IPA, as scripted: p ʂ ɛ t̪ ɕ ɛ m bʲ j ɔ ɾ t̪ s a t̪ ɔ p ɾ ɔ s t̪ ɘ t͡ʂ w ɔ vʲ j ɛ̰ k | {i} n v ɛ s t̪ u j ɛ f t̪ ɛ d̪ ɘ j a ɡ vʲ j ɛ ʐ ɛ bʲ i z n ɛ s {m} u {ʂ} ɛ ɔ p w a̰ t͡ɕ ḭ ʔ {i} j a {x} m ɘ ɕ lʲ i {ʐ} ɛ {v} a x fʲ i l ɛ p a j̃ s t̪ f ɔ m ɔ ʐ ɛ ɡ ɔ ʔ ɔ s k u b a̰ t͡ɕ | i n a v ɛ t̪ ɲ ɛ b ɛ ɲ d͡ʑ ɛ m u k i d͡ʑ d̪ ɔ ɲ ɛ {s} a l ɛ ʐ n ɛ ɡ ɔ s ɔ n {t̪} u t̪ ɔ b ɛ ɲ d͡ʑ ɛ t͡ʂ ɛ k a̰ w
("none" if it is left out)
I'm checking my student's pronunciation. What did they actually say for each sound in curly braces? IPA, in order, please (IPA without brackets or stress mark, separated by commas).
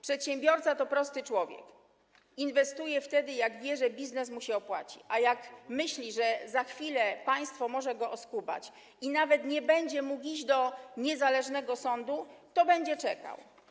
i, m, ɕ, a, k, ʐ, z, z, d̪